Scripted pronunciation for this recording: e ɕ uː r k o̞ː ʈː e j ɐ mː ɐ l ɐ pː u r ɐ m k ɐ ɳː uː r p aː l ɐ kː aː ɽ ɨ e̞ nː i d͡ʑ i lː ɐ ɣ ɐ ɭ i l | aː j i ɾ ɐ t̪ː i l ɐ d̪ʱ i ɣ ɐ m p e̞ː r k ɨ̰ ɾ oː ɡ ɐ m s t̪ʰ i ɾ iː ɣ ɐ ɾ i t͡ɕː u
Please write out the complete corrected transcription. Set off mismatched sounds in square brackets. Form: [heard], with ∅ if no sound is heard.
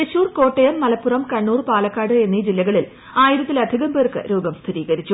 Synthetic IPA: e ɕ uː r k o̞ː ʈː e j ɐ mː ɐ l ɐ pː u r ɐ m k ɐ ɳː uː r p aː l ɐ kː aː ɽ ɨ e̞ nː i d͡ʑ i lː ɐ ɣ ɐ ɭ i l | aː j i ɾ ɐ t̪ː i l ɐ d̪ʱ i ɣ ɐ m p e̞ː r k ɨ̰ ɾ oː ɡ ɐ m s t̪ʰ i ɾ iː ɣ ɐ ɾ i t͡ɕː u